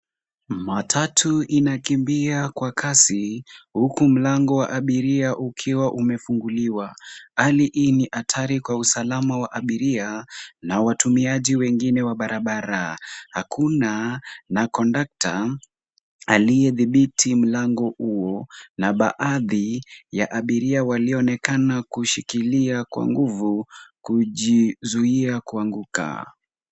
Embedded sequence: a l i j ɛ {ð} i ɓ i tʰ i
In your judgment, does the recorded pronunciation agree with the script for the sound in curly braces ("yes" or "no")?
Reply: yes